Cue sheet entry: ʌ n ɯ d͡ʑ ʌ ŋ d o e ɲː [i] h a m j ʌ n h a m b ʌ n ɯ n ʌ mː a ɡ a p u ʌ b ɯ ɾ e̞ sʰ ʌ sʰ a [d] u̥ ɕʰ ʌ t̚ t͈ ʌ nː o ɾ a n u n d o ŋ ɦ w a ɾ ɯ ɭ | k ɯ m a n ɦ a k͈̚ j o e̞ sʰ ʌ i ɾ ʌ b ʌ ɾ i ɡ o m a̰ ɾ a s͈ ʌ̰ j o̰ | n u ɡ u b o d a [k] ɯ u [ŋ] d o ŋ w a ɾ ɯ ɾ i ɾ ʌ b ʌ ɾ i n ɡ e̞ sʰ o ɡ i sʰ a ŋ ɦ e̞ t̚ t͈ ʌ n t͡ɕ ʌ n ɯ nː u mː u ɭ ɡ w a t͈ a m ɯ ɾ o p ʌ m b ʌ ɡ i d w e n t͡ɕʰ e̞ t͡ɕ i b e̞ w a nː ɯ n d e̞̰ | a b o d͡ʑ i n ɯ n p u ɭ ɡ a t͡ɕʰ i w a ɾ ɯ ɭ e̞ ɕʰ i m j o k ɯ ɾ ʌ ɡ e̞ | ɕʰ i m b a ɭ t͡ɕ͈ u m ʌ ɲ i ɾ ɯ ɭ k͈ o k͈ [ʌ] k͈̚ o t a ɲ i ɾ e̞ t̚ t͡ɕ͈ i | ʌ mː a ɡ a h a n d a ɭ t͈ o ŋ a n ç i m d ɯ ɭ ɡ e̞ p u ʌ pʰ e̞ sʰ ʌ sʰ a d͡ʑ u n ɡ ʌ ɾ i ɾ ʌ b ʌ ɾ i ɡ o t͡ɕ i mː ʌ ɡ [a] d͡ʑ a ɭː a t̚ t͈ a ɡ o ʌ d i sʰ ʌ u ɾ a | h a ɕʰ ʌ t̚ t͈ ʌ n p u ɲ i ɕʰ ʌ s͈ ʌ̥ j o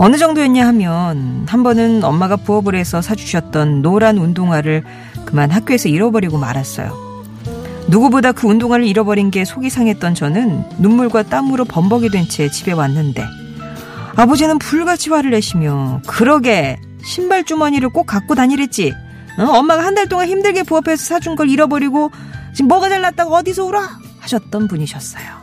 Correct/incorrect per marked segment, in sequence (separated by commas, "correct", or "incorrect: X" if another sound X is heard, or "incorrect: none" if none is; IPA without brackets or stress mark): incorrect: a, incorrect: d͡ʑ, correct, incorrect: n, incorrect: a, correct